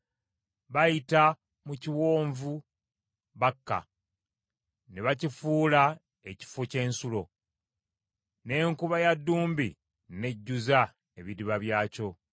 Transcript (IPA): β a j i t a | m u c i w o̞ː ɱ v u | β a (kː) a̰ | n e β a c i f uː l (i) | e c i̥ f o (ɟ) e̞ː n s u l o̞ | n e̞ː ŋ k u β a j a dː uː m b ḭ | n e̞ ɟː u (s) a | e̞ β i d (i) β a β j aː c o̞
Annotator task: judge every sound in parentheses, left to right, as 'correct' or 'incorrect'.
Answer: correct, incorrect, incorrect, incorrect, correct

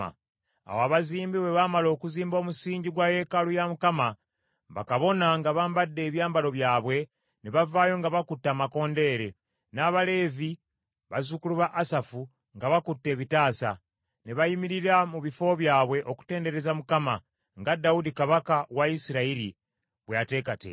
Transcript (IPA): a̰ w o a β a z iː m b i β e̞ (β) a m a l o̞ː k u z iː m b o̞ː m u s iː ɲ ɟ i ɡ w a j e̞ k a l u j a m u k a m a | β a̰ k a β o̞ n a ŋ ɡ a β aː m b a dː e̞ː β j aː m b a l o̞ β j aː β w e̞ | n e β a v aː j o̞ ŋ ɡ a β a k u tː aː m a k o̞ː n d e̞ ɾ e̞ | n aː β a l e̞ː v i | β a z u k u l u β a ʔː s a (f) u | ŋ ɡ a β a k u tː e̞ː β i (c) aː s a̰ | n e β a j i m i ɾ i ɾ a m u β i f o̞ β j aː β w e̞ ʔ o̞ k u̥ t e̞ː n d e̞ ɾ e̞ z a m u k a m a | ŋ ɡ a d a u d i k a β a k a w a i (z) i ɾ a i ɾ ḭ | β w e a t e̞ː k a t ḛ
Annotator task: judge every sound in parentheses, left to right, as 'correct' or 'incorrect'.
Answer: correct, correct, incorrect, incorrect

